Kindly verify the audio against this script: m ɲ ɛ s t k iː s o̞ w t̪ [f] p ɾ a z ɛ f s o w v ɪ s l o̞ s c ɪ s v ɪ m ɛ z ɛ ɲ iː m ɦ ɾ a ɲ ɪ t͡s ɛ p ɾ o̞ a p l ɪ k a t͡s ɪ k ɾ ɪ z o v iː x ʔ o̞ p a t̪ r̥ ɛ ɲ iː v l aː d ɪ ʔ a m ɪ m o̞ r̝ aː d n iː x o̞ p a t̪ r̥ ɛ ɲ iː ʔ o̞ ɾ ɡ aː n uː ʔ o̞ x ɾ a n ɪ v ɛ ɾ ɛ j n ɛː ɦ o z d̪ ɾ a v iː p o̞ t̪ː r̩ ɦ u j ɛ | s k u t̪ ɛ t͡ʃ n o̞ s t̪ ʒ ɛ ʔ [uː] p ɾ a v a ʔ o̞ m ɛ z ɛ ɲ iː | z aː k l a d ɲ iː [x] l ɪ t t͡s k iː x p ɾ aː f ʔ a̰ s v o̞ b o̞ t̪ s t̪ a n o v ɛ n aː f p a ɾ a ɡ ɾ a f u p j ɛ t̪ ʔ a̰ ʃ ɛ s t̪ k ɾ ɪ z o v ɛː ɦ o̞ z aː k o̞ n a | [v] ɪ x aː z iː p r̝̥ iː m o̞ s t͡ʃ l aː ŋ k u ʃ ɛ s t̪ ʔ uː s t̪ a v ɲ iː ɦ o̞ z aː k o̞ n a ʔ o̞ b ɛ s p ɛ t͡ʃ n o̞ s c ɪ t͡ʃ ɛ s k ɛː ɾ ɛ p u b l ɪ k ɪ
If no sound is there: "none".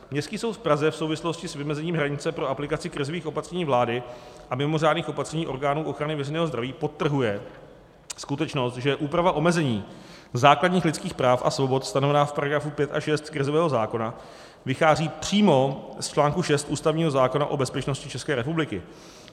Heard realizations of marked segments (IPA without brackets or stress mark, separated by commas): f, uː, x, v